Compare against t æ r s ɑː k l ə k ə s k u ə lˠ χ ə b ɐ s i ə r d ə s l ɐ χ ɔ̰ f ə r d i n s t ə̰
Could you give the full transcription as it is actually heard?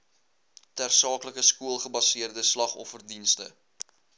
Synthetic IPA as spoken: t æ r s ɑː k l ə k ə s k u ə lˠ χ ə b ɐ s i ə r d ə s l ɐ χ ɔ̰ f ə r d i n s t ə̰